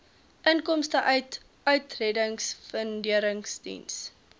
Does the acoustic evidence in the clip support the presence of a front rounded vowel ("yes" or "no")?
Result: yes